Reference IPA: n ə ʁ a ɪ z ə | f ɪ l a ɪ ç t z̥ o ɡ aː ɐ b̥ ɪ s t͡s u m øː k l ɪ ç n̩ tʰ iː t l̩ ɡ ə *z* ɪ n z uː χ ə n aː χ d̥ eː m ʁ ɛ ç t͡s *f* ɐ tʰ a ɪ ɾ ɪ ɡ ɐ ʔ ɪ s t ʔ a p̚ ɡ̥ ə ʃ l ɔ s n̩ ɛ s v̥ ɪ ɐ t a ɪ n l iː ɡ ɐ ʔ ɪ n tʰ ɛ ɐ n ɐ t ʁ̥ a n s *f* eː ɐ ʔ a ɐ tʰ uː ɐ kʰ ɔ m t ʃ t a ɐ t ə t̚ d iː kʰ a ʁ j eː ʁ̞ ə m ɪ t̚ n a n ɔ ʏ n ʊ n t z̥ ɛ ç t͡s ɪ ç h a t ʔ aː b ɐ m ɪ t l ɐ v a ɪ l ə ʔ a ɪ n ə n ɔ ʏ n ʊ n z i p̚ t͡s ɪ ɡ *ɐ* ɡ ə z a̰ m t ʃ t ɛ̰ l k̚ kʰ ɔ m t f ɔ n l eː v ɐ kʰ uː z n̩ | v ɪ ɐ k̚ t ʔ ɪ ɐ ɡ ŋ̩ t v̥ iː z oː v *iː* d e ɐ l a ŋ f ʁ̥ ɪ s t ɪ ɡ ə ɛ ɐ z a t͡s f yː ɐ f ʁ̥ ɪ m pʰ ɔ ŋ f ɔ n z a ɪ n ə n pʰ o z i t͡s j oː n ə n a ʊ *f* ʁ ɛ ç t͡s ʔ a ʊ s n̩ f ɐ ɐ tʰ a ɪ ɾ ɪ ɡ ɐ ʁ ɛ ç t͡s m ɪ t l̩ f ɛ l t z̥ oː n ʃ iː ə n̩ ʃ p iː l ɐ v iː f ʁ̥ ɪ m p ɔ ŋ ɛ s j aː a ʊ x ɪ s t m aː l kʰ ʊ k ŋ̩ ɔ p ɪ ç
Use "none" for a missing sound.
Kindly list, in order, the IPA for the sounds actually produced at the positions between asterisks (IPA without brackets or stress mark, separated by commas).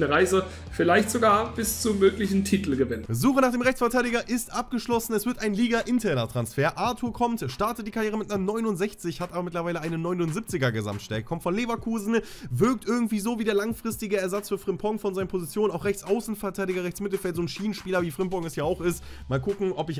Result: v, f, f, ɐ, iː, x